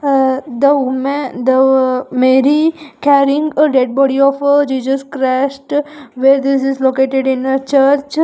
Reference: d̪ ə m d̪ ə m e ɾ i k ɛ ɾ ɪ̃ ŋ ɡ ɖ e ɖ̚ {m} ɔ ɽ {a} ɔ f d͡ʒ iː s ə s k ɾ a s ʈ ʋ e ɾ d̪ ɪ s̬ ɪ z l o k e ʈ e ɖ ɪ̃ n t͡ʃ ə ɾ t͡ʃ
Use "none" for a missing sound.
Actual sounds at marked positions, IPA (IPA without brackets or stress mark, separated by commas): b, i